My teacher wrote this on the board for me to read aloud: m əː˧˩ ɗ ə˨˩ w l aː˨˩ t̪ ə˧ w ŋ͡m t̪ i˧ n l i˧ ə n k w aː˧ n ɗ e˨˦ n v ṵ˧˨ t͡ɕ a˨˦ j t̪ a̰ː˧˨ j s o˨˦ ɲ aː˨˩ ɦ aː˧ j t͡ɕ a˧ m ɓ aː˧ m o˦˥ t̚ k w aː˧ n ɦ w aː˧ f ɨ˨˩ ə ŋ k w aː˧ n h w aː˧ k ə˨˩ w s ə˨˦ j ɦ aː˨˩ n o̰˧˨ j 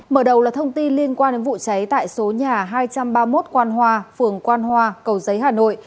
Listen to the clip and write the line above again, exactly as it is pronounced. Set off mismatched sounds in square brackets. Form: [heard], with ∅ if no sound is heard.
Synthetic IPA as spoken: m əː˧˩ ɗ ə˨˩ w l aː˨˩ [t̪ʰ] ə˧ w ŋ͡m t̪ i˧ n l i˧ ə n k w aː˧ n ɗ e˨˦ n v ṵ˧˨ t͡ɕ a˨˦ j t̪ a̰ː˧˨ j s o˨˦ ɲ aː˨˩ ɦ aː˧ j t͡ɕ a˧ m ɓ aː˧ m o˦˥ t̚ k w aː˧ n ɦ w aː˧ f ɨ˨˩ ə ŋ k w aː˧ n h w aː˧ k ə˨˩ w [z] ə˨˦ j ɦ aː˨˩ n o̰˧˨ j

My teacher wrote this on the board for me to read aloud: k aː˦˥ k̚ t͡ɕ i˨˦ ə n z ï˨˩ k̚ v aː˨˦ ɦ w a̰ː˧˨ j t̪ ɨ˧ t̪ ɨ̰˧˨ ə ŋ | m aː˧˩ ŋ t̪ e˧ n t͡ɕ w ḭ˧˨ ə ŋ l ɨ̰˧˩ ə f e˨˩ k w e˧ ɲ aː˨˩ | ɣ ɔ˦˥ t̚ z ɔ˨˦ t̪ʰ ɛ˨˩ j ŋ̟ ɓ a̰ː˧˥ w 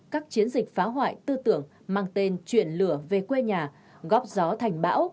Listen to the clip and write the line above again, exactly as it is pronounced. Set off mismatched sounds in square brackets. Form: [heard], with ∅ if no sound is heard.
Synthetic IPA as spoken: k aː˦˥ k̚ t͡ɕ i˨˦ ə n z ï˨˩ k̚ [f] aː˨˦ ɦ w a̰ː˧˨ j t̪ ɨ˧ t̪ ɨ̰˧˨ ə ŋ | m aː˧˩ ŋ t̪ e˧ n t͡ɕ w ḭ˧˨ ə [n] l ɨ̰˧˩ ə [v] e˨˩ k w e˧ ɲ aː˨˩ | ɣ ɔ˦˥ [p̚] z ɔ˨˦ t̪ʰ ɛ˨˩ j ŋ̟ ɓ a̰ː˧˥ w

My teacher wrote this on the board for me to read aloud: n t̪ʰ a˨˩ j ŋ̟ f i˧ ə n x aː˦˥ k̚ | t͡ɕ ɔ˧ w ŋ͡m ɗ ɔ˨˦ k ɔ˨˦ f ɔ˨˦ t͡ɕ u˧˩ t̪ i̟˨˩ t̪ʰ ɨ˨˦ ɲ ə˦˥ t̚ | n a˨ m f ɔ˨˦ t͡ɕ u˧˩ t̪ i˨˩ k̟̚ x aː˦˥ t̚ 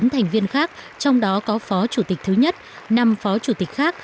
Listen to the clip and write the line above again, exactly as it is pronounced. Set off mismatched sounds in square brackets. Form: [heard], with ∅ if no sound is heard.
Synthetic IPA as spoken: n t̪ʰ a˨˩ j ŋ̟ [v] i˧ ə n x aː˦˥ k̚ | t͡ɕ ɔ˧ w ŋ͡m ɗ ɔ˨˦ k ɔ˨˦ f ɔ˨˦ t͡ɕ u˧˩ t̪ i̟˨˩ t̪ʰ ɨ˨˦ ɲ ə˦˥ t̚ | n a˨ m f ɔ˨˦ t͡ɕ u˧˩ t̪ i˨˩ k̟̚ x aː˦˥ [k̚]

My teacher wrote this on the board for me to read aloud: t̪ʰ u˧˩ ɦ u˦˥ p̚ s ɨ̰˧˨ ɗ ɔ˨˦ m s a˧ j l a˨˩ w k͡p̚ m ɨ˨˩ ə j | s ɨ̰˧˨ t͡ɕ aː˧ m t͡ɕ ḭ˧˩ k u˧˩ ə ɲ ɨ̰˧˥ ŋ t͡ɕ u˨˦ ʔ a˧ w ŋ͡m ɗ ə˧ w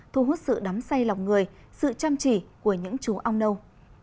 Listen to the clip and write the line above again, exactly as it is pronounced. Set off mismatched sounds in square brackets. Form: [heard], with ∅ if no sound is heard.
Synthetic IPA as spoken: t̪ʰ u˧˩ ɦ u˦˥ [t̚] s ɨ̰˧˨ ɗ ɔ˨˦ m s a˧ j l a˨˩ w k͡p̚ [ŋ] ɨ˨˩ ə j | s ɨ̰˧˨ t͡ɕ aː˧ m t͡ɕ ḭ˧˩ k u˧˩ ə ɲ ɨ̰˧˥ ŋ t͡ɕ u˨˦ ʔ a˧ w ŋ͡m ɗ ə˧ w

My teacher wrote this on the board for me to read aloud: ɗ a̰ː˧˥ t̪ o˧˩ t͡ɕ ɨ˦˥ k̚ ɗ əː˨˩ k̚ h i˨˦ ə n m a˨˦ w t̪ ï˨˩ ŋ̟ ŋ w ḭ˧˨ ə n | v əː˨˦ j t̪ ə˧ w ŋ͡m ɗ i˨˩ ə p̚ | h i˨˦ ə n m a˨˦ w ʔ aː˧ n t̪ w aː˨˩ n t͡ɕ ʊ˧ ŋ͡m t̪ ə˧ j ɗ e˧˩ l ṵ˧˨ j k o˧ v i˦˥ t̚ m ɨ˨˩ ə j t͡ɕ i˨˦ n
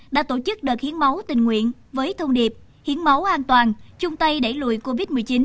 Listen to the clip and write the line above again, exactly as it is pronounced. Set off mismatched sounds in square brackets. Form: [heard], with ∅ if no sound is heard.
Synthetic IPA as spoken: ɗ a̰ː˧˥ t̪ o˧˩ t͡ɕ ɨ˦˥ k̚ ɗ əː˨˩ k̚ h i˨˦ ə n m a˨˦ w t̪ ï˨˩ ŋ̟ ŋ w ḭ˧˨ ə n | v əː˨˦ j [t̪ʰ] ə˧ w ŋ͡m ɗ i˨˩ ə p̚ | h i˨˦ ə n m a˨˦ w ʔ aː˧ n t̪ w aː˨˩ n t͡ɕ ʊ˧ ŋ͡m t̪ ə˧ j ɗ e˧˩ l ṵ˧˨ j k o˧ v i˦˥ t̚ m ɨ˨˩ ə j t͡ɕ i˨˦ n

